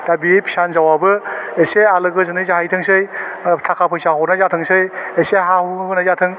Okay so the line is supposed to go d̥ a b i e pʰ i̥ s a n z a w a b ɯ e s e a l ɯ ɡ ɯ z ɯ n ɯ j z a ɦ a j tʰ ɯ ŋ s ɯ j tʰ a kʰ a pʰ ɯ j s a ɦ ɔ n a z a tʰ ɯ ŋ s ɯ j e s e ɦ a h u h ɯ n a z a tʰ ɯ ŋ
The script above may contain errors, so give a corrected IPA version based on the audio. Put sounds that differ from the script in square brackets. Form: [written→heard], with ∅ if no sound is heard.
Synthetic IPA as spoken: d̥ a b i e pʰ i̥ s a n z a w a b ɯ e s e a l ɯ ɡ ɯ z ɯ n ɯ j z a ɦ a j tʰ ɯ ŋ s ɯ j tʰ a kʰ a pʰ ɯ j s a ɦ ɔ n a z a tʰ ɯ ŋ s ɯ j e s e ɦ a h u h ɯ n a z a tʰ ɯ ŋ